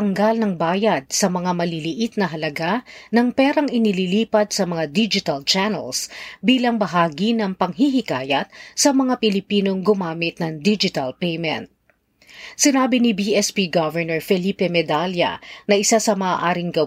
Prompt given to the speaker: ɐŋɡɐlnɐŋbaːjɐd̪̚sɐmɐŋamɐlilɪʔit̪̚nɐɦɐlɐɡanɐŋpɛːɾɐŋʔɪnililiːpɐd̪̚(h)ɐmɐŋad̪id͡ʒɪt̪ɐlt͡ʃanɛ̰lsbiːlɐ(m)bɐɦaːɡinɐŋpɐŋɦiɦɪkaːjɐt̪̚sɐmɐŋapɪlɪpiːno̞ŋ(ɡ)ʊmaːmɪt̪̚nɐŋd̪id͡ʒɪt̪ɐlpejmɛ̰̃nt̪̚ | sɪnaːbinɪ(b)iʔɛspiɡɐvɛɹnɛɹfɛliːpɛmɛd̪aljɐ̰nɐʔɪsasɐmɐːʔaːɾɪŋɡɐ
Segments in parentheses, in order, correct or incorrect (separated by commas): incorrect, incorrect, correct, correct